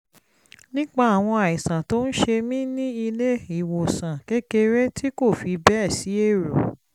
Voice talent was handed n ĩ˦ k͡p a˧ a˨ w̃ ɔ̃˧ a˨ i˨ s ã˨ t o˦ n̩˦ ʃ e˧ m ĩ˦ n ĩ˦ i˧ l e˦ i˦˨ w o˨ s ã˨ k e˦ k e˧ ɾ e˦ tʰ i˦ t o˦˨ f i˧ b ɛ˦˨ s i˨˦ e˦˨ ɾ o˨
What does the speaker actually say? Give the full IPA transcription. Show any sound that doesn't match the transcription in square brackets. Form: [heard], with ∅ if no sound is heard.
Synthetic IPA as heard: n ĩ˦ k͡p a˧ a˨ w̃ ɔ̃˧ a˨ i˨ s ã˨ t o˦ n̩˦ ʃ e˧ m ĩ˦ n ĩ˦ i˧ l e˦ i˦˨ w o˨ s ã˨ k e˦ k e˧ ɾ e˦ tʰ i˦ [k] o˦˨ f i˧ b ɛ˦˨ s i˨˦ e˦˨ ɾ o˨